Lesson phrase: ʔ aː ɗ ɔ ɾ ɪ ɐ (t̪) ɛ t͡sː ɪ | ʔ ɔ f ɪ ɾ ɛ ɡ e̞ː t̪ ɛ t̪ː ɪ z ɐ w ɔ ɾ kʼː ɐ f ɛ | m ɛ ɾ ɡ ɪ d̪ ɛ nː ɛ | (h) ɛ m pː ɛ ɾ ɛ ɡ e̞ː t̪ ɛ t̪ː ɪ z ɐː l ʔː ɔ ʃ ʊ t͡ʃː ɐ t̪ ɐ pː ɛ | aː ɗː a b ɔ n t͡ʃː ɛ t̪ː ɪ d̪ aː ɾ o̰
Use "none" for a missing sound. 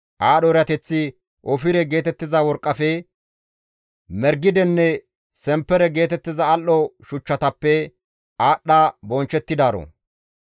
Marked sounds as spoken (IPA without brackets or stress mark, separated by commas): t̪, s